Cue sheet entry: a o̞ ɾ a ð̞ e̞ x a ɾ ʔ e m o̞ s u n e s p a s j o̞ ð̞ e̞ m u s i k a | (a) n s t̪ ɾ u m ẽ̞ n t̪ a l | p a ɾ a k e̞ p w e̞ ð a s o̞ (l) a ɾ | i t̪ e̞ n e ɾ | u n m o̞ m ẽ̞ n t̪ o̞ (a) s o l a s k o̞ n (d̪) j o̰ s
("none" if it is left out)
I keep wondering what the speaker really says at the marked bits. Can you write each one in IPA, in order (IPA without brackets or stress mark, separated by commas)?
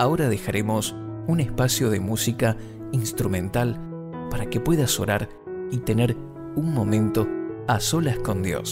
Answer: i, ɾ, a, d̪